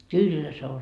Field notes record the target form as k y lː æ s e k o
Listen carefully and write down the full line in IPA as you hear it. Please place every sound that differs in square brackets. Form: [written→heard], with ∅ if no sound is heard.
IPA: k y lː æ s e [k→∅] o